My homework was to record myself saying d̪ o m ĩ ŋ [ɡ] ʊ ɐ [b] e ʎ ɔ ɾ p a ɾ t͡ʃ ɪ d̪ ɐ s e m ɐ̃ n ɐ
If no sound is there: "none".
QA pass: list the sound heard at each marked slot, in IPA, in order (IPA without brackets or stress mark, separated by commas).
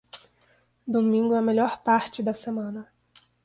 ɡ, m